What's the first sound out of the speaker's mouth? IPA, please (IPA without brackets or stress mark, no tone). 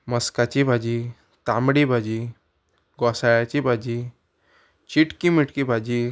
m